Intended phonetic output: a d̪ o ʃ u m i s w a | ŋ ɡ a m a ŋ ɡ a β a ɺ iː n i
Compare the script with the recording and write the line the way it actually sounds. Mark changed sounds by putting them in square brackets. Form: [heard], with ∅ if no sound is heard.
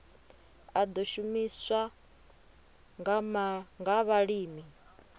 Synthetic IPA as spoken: a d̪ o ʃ u m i s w a | ŋ ɡ a m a ŋ ɡ a β a ɺ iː [m] i